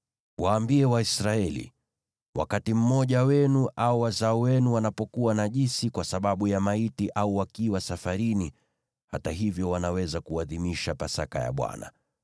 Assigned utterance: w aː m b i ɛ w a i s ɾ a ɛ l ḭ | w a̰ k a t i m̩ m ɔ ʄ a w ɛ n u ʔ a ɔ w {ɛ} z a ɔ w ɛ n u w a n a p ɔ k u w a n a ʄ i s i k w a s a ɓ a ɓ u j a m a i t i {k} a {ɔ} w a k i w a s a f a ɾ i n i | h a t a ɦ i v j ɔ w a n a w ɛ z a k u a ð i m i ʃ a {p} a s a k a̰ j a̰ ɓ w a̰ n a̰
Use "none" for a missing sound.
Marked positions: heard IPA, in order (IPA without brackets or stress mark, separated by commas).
a, ʔ, u, p